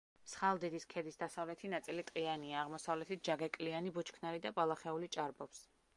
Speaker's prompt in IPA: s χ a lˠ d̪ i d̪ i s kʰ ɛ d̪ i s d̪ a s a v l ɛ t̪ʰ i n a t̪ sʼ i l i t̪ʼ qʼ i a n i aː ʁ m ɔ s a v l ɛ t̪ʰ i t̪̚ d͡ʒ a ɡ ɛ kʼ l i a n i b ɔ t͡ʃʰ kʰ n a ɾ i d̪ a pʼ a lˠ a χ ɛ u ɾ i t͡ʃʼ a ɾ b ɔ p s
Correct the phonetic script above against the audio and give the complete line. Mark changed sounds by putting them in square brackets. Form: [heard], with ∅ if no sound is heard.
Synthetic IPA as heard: s χ a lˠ d̪ i d̪ i s kʰ ɛ d̪ i s d̪ a s a v l ɛ t̪ʰ i n a t̪ sʼ i l i t̪ʼ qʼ i a n i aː ʁ m ɔ s a v l ɛ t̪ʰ i t̪̚ d͡ʒ a ɡ ɛ kʼ l i a n i b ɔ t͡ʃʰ kʰ n a ɾ i d̪ a pʼ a lˠ a χ ɛ u [l] i t͡ʃʼ a ɾ b ɔ p s